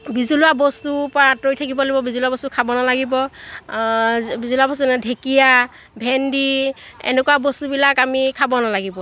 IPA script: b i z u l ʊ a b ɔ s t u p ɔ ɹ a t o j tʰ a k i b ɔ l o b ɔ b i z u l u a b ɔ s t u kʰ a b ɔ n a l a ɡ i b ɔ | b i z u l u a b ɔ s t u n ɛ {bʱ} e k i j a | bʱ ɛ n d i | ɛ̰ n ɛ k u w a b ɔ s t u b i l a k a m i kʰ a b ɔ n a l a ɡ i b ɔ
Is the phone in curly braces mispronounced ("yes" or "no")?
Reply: yes